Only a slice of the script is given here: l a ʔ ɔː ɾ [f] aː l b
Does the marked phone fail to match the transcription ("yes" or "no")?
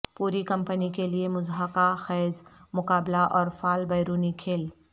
no